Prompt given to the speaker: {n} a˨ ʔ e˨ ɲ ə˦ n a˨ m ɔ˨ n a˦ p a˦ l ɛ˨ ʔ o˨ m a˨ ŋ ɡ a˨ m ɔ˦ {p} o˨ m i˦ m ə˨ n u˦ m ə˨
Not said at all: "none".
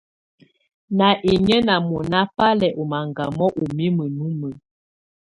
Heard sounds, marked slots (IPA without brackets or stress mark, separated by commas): n, ʔ